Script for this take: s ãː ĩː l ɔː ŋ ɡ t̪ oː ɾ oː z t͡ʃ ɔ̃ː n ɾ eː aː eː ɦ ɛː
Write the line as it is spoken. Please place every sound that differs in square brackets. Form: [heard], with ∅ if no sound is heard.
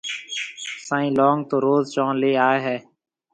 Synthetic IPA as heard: s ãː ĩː l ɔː ŋ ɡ t̪ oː ɾ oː z t͡ʃ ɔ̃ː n [l] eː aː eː ɦ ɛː

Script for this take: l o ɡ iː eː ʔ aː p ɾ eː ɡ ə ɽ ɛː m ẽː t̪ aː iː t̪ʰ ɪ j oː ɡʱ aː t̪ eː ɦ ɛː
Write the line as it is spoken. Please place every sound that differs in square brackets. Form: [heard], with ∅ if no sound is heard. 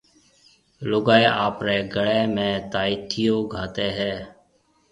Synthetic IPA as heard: l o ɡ [aː] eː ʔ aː p ɾ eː ɡ ə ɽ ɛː m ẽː t̪ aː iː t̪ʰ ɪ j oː ɡʱ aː t̪ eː ɦ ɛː

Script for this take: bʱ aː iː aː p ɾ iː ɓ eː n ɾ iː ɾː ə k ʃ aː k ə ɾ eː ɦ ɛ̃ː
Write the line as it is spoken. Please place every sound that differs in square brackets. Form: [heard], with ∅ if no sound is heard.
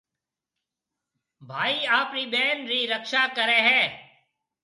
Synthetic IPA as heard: bʱ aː iː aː p ɾ iː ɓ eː n ɾ iː [ɾ] ə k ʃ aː k ə ɾ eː ɦ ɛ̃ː

